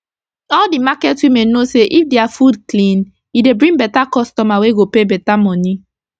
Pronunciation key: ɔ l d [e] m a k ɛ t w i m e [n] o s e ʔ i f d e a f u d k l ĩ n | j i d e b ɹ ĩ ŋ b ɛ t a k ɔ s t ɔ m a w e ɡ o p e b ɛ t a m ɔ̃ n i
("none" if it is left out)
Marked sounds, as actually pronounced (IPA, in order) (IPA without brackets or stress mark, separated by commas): i, n